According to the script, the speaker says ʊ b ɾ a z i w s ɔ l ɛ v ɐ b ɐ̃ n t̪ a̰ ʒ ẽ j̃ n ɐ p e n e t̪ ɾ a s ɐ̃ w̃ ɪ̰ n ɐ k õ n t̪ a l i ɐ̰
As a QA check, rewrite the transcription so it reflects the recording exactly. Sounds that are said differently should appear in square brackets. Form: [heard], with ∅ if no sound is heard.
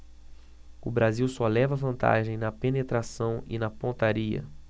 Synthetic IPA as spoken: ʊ b ɾ a z i w s ɔ l ɛ v ɐ [v] ɐ̃ n t̪ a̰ ʒ ẽ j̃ n ɐ p e n e t̪ ɾ a s ɐ̃ w̃ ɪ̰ n ɐ [p] õ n t̪ a [ɾ] i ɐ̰